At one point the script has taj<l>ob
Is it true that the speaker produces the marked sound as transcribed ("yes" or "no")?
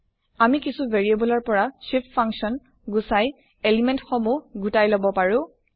yes